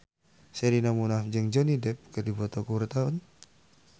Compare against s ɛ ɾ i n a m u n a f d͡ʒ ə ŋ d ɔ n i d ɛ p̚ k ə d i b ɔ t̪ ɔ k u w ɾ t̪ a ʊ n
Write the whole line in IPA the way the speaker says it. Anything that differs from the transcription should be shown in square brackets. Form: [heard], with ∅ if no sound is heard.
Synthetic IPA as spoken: s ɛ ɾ i n a m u n a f d͡ʒ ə ŋ [d͡ʒ] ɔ n i d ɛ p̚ k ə d i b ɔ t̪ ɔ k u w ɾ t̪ a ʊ n

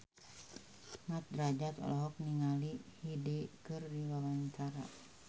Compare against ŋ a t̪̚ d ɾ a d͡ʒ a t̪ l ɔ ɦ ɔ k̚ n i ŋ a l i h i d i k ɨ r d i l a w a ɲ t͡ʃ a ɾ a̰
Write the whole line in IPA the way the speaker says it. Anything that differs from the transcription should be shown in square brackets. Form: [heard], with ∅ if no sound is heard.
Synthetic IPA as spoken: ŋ a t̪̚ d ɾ a d͡ʒ a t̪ l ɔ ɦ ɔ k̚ n i ŋ a l i h i d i k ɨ r d i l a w a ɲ t͡ʃ a ɾ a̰

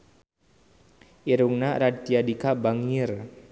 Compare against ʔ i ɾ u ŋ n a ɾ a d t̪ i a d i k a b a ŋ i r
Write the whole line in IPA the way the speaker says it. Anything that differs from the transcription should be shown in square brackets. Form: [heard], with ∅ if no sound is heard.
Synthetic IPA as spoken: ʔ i ɾ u ŋ n a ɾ a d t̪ i a d i k a b a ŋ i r

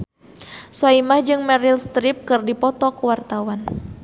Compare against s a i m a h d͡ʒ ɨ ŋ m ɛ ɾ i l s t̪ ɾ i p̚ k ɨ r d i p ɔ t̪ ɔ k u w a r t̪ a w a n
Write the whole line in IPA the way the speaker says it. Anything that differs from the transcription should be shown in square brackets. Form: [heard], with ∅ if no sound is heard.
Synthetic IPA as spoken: s a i m a h d͡ʒ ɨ ŋ m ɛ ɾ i l s t̪ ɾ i p̚ k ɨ r d i p ɔ t̪ ɔ k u w a r t̪ a w a n

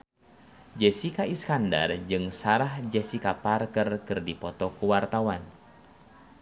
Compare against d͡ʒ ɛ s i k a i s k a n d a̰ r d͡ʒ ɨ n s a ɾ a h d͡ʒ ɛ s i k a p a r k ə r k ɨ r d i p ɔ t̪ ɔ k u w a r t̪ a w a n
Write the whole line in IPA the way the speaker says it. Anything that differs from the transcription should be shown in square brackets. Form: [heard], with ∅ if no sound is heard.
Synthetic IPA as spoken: d͡ʒ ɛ s i k a i s k a n d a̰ r d͡ʒ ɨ [ŋ] s a ɾ a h d͡ʒ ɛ s i k a p a r k ə r k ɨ r d i p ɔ t̪ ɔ k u w a r t̪ a w a n

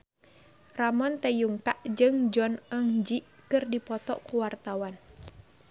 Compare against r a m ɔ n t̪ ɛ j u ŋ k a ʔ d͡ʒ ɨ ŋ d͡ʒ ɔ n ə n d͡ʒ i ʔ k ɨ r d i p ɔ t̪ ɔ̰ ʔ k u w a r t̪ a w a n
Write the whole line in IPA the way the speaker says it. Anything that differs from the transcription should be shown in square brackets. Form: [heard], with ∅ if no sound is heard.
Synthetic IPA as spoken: r a m ɔ n t̪ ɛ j u ŋ k a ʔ d͡ʒ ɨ ŋ d͡ʒ ɔ n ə [ŋ] d͡ʒ i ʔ k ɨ r d i p ɔ t̪ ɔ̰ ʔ k u w a r t̪ a w a n

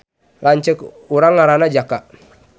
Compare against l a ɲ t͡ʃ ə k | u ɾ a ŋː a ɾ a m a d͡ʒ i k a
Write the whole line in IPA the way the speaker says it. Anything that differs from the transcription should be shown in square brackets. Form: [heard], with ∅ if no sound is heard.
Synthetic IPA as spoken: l a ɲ t͡ʃ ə k | u ɾ a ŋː a ɾ a [n] a d͡ʒ [a] k a

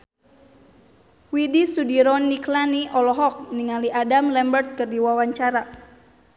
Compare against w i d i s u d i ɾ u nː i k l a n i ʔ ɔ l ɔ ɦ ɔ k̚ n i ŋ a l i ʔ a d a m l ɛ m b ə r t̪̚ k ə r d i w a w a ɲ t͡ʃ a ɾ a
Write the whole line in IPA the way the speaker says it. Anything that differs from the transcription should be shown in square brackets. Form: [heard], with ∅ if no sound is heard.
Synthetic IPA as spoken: w i d i s u d i ɾ [ɔ] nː i k l a n i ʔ ɔ l ɔ ɦ ɔ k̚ n i ŋ a l i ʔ a d a m l ɛ m b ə r t̪̚ k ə r d i w a w a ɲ t͡ʃ a ɾ a

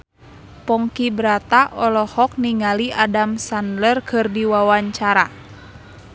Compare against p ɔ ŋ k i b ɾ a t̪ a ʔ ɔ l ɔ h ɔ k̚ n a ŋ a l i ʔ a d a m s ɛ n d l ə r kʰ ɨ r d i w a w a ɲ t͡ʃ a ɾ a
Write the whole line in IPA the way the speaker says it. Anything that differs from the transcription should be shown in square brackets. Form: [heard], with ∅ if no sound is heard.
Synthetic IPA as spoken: p ɔ ŋ k i b ɾ a t̪ a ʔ ɔ l ɔ h ɔ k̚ n [i] ŋ a l i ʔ a d a m s [a] n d l ə r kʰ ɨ r d i w a w a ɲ t͡ʃ a ɾ a

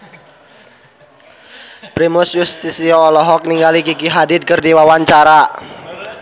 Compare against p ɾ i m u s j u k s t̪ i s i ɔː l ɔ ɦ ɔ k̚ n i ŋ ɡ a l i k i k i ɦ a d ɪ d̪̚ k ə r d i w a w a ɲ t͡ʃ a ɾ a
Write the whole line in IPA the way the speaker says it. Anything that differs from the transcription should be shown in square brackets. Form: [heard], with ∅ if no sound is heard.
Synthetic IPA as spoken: p ɾ i m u s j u [∅] s t̪ i s i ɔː l ɔ ɦ ɔ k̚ n i ŋ ɡ a l i k i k i ɦ a d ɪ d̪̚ k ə r d i w a w a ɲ t͡ʃ a ɾ a

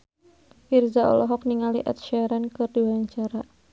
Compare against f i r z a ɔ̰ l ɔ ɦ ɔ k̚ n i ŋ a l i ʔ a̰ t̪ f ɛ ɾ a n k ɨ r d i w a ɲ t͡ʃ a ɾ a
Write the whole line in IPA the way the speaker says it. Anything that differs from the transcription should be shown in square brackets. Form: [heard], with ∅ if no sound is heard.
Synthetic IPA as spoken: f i r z a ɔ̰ l ɔ ɦ ɔ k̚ n i ŋ a l i ʔ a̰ t̪ [ʃ] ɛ ɾ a n k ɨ r d i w a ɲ t͡ʃ a ɾ a

